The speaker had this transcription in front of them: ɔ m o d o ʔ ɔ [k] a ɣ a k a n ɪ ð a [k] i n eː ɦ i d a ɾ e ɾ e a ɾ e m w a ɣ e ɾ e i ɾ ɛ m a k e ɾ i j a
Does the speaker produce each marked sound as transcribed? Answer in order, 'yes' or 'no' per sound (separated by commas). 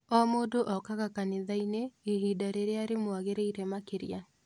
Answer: yes, no